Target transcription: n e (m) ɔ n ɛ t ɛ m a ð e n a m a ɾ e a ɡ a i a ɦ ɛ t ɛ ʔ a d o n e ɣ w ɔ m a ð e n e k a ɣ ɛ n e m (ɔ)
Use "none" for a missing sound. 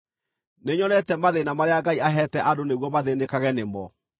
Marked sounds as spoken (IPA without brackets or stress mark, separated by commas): ɲ, ɔ